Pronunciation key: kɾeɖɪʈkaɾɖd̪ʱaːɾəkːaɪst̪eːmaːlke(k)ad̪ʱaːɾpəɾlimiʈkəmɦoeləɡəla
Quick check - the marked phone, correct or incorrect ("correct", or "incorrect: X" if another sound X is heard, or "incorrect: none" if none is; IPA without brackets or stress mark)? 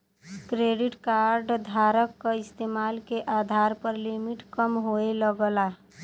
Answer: incorrect: ʔ